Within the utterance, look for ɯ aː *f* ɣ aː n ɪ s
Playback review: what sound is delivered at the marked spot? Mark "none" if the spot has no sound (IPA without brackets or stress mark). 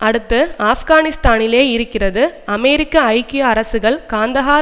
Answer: f